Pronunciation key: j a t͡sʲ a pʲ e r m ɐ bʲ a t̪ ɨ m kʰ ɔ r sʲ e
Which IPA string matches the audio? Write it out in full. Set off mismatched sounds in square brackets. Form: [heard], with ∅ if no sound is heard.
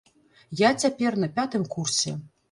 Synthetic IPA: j a t͡sʲ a pʲ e r [n] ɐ [pʲ] a t̪ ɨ m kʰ [u] r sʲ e